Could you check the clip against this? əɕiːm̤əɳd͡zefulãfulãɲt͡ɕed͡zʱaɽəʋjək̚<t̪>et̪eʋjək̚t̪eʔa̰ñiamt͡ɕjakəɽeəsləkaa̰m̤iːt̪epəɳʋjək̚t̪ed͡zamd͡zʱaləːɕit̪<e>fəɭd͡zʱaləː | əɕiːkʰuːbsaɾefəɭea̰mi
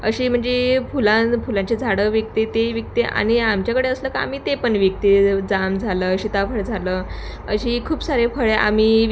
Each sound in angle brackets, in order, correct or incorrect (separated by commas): correct, incorrect